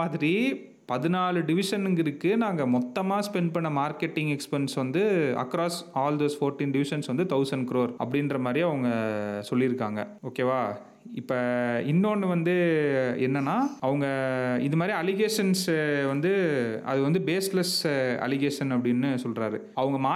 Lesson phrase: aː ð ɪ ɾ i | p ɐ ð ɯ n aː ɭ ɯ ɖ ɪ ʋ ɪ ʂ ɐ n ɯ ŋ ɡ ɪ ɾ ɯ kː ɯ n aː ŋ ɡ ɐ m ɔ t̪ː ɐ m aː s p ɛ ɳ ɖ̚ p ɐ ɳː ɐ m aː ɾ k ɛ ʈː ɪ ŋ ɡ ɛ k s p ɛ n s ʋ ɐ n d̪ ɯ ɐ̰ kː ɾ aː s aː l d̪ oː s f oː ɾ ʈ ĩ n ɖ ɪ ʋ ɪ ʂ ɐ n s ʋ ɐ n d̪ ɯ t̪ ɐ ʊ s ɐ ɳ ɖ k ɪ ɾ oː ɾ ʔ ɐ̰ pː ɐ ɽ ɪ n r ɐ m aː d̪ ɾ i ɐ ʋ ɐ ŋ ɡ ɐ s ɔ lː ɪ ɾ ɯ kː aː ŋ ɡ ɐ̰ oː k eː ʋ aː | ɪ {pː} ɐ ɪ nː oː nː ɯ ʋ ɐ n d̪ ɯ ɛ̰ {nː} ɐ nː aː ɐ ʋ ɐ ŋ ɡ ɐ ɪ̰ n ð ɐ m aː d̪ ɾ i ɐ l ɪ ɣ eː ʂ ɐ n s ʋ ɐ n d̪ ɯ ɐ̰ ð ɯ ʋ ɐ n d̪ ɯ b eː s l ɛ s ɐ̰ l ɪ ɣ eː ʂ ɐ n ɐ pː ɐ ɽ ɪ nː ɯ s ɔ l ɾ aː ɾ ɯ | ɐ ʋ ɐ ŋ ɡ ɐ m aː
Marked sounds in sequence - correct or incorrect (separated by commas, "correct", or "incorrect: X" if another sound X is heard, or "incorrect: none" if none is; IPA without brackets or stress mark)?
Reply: correct, correct